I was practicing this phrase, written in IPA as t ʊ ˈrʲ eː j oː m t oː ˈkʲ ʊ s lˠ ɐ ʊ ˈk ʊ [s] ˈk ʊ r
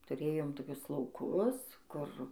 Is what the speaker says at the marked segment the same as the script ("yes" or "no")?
yes